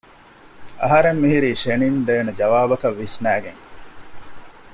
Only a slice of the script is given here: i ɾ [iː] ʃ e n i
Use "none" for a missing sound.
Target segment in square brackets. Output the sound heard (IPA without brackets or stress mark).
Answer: iː